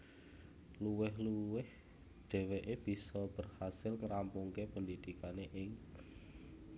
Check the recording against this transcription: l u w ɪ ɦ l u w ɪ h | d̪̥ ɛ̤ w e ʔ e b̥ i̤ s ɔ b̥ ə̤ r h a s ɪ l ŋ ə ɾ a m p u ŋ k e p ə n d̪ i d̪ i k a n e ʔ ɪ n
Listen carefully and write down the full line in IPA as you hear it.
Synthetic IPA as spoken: l u w ɪ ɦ l u w ɪ h | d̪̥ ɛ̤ w e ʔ e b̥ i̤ s ɔ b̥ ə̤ r h a s ɪ l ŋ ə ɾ a m p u ŋ k e p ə n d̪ i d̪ i k a n e ʔ ɪ ŋ